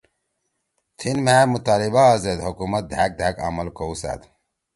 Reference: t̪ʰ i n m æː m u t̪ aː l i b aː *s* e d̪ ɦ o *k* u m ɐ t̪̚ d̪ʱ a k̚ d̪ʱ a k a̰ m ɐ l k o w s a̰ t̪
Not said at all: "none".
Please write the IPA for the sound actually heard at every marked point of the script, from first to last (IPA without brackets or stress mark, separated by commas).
z, k